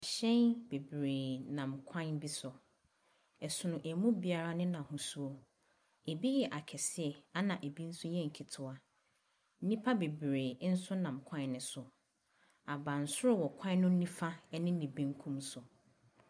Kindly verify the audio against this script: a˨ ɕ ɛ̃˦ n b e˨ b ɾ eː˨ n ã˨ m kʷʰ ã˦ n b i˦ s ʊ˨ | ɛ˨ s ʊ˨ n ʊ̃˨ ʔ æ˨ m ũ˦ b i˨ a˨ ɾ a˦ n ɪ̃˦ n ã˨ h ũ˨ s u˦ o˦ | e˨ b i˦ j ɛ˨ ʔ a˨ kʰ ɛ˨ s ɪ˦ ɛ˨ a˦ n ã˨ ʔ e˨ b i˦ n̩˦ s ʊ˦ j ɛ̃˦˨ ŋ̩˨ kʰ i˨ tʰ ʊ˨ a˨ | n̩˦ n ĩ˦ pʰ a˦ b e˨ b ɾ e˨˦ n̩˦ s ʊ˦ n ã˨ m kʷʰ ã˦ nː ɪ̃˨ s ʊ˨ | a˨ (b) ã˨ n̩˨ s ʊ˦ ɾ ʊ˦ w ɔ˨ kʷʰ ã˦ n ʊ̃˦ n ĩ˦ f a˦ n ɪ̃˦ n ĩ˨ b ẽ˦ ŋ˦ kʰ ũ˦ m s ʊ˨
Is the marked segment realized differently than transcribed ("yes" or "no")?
no